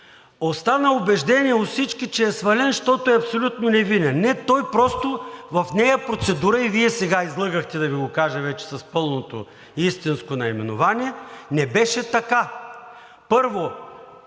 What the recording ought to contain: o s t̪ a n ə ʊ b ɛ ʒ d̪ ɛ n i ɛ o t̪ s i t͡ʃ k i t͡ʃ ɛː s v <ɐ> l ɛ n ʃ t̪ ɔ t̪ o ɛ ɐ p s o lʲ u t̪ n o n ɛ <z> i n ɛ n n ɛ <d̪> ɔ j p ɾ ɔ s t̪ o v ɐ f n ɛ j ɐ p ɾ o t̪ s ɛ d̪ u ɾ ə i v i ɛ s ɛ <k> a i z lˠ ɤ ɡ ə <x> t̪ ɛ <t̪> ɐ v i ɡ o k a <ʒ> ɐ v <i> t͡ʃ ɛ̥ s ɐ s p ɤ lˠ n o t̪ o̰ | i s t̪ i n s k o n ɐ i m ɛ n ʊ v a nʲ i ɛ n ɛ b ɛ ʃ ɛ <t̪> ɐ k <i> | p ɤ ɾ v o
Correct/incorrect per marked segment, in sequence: correct, incorrect: v, incorrect: t̪, incorrect: ɡ, correct, incorrect: d̪, correct, incorrect: ɛ, correct, incorrect: a

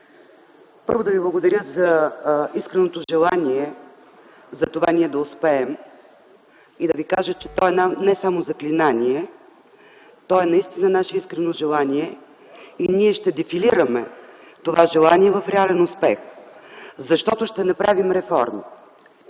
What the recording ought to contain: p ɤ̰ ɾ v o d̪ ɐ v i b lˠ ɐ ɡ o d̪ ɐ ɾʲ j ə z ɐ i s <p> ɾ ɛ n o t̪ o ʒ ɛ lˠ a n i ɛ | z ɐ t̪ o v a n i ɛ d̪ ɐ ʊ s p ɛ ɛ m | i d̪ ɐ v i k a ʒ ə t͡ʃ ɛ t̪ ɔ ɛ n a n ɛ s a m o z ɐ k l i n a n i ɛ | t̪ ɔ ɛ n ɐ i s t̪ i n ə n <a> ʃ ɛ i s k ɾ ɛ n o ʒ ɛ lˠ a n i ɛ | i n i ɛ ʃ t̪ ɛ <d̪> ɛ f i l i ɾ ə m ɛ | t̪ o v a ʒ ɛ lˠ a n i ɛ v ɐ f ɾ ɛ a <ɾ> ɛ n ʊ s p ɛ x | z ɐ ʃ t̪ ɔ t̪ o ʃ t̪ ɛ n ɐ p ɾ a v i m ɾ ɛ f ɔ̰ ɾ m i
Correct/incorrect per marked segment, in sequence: incorrect: k, correct, correct, incorrect: l

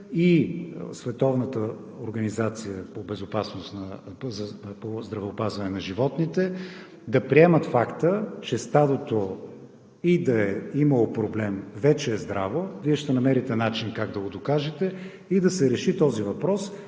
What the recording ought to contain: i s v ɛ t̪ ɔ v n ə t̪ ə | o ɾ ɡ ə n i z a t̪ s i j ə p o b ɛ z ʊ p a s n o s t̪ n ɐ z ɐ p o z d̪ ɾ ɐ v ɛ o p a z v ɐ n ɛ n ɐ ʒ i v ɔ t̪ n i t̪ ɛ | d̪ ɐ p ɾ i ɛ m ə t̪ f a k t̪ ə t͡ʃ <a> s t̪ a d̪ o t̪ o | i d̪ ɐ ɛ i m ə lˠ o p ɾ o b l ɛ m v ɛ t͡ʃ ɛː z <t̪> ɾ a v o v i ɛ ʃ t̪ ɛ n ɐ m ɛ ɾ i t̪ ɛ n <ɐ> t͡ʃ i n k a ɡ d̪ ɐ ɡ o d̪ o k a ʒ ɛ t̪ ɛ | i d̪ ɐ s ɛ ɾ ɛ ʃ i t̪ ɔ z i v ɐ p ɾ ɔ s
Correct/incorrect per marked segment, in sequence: incorrect: ɛ, incorrect: d̪, incorrect: a

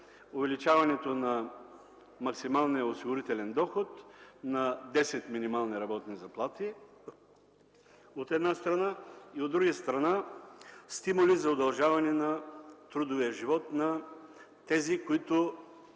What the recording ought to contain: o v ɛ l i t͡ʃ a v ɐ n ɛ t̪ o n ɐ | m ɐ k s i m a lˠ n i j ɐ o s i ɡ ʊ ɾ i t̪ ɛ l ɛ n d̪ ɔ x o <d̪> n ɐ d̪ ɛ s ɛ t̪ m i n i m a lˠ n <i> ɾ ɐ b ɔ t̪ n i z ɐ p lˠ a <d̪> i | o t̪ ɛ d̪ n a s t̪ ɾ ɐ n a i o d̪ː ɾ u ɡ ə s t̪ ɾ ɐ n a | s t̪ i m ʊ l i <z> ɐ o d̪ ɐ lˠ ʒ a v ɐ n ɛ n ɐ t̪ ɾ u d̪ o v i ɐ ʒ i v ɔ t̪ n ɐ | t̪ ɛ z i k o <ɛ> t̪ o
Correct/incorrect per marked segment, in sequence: incorrect: t̪, correct, incorrect: t̪, correct, incorrect: i

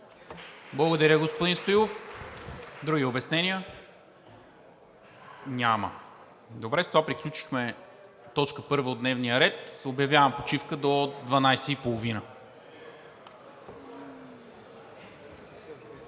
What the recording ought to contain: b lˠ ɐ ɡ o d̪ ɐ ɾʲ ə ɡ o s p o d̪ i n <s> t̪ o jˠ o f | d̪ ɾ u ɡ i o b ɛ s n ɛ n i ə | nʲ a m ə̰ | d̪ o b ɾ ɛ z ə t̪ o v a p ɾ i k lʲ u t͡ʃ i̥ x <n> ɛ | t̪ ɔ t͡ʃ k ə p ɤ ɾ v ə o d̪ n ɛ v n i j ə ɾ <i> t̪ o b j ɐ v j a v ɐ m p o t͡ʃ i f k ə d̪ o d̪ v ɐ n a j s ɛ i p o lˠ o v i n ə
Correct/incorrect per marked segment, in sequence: correct, incorrect: m, incorrect: ɛ

